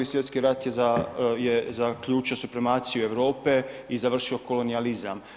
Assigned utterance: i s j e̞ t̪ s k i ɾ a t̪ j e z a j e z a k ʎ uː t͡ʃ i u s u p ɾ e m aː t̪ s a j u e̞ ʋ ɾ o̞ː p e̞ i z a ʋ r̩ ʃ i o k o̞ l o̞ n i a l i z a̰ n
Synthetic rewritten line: i s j e̞ t̪ s k i ɾ a t̪ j e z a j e z a k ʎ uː t͡ʃ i o s u p ɾ e m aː t̪ s i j u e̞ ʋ ɾ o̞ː p e̞ i z a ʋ r̩ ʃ i o k o̞ l o̞ n i a l i z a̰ m